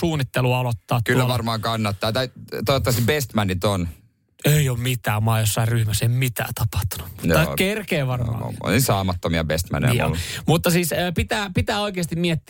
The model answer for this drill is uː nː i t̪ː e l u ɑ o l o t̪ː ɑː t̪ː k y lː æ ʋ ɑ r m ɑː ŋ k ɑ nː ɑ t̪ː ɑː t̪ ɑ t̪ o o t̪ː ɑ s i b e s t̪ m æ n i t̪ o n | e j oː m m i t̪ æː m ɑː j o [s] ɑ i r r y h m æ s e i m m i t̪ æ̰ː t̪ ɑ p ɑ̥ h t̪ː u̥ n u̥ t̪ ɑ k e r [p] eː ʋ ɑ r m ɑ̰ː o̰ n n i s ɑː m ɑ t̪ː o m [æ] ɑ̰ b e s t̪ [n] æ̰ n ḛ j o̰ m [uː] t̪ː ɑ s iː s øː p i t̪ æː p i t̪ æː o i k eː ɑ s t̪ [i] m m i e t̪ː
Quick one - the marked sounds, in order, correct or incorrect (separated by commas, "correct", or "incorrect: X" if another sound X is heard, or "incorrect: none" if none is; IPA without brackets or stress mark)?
incorrect: sː, incorrect: k, incorrect: i, incorrect: m, incorrect: u, correct